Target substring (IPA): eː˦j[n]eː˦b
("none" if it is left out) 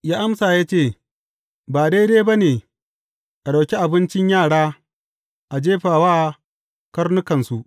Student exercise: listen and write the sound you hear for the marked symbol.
d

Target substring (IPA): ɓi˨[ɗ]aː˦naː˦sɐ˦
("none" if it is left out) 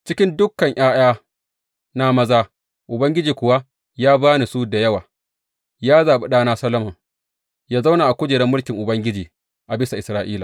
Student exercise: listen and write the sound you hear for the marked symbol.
ɗ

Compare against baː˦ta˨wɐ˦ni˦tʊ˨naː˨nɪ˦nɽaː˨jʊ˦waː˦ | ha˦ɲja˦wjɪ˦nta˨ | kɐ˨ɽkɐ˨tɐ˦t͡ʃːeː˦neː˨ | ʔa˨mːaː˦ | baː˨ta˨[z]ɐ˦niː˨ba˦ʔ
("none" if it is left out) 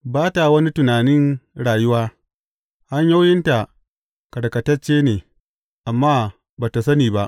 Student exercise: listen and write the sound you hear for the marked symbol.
s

